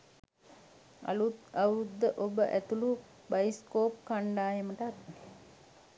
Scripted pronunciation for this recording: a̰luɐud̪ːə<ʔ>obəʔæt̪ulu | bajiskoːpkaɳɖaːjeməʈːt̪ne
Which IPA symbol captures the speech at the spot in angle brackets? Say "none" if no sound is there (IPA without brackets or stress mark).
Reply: ʔ